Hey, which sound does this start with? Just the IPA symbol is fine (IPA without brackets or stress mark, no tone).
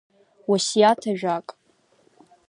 w